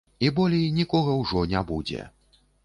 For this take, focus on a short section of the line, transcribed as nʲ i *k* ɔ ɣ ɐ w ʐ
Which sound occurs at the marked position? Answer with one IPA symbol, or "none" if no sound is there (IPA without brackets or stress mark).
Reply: k